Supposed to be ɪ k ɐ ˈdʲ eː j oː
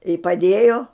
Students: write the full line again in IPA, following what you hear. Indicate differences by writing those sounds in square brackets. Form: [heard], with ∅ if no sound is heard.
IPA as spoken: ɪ [p] ɐ ˈdʲ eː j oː